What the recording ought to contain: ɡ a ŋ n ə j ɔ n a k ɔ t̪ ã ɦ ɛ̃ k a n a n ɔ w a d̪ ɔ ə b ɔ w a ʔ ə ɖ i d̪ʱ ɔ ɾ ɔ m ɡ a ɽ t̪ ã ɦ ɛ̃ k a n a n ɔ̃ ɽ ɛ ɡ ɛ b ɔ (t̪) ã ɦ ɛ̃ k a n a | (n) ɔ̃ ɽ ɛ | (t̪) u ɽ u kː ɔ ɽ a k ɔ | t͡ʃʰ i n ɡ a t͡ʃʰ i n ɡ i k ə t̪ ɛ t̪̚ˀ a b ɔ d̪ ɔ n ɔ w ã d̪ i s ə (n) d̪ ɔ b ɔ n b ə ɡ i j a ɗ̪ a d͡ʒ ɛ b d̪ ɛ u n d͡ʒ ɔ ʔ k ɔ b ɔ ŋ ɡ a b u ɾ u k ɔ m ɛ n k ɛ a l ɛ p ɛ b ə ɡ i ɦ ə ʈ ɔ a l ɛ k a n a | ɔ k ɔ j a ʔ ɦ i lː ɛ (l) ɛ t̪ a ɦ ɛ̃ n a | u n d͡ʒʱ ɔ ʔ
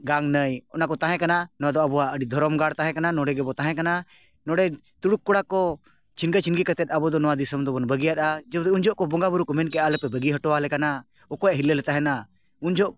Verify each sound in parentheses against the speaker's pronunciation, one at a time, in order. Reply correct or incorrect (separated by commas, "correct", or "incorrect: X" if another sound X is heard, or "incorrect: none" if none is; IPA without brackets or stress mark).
correct, correct, correct, incorrect: m, correct